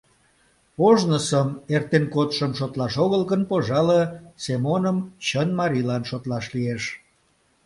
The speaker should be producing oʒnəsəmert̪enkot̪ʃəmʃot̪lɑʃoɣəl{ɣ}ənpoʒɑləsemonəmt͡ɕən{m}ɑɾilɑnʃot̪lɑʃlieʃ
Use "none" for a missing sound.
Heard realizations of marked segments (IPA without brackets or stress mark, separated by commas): ɣ, m